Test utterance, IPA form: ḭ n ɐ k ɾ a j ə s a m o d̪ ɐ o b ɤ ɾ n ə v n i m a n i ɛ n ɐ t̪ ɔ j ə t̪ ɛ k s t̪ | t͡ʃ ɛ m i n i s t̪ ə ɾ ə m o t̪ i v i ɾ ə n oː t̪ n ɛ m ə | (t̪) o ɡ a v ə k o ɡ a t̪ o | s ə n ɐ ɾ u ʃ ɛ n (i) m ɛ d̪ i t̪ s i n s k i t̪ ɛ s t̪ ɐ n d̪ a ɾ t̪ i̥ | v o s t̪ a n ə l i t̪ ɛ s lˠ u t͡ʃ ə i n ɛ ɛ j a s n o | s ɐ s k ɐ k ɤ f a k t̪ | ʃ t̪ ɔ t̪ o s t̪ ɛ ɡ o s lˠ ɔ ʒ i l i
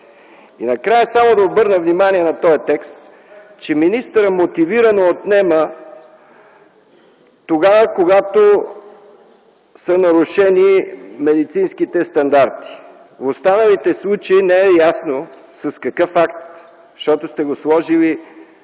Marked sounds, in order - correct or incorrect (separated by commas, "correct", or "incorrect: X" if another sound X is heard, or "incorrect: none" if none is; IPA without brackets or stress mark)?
correct, correct